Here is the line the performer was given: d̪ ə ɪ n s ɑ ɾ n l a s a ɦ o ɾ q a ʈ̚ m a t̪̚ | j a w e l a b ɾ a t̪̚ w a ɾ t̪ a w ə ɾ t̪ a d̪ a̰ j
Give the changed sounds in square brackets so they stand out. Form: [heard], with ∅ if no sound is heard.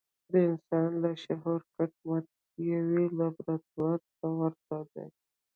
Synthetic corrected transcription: d̪ ə ɪ n s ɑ [∅] n l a [ʃ] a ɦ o ɾ [k] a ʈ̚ m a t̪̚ | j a w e l a b ɾ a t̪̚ w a ɾ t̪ a w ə ɾ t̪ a d̪ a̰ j